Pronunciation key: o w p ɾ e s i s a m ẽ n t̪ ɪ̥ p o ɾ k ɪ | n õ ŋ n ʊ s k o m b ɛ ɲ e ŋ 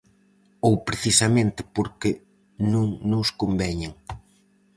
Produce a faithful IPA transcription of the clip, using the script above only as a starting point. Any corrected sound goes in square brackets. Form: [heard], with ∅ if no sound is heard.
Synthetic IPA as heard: o w p ɾ e [θ] i s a m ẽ n t̪ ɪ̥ p o ɾ k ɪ | n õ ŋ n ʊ s k o m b ɛ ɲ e ŋ